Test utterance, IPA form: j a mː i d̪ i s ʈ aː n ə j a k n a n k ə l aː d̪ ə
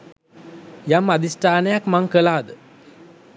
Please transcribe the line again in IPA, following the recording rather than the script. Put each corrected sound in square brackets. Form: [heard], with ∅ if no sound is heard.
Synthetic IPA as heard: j a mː [a] d̪ i s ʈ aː n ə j a k [m] a [ŋ] k ə l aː d̪ ə